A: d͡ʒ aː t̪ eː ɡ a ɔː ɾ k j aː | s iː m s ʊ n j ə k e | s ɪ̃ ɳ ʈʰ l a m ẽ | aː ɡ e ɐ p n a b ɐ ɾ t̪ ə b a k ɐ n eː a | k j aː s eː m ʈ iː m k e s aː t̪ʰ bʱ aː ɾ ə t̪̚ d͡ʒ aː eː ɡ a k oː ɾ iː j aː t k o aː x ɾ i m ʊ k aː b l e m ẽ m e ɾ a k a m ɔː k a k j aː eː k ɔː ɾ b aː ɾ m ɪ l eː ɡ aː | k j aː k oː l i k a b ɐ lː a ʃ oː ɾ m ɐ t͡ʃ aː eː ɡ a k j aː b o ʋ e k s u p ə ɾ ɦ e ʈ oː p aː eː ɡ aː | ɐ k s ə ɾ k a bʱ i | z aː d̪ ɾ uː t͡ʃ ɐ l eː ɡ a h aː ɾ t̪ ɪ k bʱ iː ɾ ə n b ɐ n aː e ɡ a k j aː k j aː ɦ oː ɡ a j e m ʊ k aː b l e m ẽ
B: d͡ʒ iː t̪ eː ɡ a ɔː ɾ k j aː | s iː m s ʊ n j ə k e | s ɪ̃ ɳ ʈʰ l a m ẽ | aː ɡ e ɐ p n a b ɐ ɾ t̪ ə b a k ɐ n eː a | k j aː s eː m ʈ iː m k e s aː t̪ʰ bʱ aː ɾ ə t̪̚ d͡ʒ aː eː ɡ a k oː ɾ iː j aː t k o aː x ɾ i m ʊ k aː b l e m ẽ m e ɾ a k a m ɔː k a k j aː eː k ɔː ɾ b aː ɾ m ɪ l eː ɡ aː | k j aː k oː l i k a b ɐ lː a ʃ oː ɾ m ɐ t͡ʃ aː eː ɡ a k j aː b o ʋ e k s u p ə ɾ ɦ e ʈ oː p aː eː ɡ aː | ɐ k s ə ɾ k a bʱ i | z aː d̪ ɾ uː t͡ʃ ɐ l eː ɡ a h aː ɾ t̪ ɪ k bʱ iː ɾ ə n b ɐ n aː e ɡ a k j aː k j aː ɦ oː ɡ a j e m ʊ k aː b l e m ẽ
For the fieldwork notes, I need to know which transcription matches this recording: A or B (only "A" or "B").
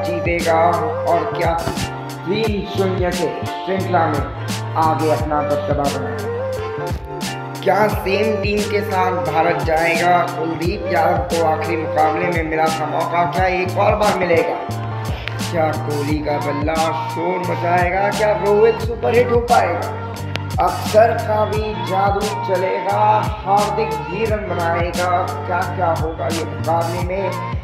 B